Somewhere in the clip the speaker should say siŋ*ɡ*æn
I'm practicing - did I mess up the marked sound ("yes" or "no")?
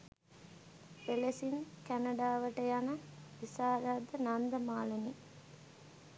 yes